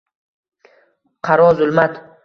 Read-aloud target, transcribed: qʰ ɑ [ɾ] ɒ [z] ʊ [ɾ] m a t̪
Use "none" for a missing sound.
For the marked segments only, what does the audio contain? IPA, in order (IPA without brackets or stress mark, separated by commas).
ɾ, z, l